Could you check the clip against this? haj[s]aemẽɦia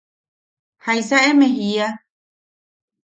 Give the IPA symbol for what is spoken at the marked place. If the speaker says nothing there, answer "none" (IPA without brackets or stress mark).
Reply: s